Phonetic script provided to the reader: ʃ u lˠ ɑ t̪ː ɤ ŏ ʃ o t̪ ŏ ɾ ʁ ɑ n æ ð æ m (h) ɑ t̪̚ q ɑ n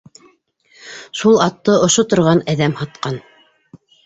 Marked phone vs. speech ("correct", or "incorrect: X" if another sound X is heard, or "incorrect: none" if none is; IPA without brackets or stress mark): correct